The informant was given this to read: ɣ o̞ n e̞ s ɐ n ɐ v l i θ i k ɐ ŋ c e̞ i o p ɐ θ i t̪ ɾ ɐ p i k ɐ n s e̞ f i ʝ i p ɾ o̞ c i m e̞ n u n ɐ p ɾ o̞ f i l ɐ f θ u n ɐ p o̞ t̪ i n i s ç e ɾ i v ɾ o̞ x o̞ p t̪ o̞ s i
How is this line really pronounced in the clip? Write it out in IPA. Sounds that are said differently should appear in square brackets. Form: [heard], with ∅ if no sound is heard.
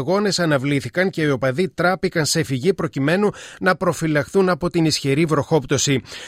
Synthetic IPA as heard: ɣ o̞ n e̞ s ɐ n ɐ v l i θ i k ɐ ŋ c e̞ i o p ɐ [ð] i t̪ ɾ ɐ p i k ɐ n s e̞ f i ʝ i p ɾ o̞ c i m e̞ n u n ɐ p ɾ o̞ f i l ɐ [x] θ u n ɐ p o̞ t̪ i n i s ç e ɾ i v ɾ o̞ x o̞ p t̪ o̞ s i